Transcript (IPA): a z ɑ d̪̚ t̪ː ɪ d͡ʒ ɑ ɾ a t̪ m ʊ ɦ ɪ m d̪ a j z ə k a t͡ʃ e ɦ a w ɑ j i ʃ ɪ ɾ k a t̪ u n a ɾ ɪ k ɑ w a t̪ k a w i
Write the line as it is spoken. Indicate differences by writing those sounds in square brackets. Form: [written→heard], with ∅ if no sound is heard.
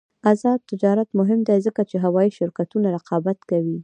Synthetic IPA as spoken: a z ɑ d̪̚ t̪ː ɪ d͡ʒ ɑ ɾ a t̪ m ʊ ɦ ɪ m d̪ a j z ə k a t͡ʃ e ɦ a w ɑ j i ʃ ɪ ɾ k a t̪ u n a ɾ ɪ [k→q] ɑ [w→b] a t̪ k a w i